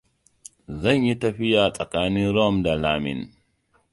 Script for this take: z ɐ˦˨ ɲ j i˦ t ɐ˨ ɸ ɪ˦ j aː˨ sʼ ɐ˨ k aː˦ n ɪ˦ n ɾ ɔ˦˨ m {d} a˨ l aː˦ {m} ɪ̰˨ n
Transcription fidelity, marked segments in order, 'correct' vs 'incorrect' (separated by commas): correct, correct